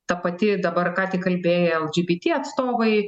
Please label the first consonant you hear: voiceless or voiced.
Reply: voiceless